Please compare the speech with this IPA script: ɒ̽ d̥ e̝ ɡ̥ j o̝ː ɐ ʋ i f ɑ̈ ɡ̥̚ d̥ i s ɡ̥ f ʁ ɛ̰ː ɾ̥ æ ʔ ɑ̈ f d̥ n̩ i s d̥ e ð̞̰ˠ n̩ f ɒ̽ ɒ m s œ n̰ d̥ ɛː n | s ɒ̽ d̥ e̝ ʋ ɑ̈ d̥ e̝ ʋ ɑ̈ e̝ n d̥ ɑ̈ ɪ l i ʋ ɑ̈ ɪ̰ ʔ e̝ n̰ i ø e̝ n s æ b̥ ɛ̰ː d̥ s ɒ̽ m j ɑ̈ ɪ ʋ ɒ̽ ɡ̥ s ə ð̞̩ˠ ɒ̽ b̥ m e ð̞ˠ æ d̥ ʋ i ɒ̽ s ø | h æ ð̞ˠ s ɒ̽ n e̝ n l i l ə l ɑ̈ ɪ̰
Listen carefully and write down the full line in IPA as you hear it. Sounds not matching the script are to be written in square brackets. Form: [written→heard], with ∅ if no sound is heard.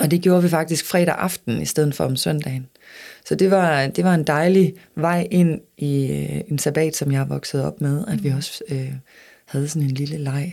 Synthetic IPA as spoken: ɒ̽ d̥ e̝ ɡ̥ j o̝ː ɐ ʋ i f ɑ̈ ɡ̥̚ d̥ i s ɡ̥ f ʁ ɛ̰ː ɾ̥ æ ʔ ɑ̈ f d̥ n̩ i s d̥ e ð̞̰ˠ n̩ f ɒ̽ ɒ m s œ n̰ d̥ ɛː n | s ɒ̽ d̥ e̝ ʋ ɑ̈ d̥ e̝ ʋ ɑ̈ e̝ n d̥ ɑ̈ ɪ l i ʋ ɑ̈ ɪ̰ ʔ e̝ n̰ i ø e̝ n s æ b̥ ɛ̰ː d̥ s ɒ̽ m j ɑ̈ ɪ ʋ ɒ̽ ɡ̥ s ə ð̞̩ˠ ɒ̽ b̥ m e ð̞ˠ æ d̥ ʋ i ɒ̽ s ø | h æ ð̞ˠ s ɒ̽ n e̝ n l i l ə l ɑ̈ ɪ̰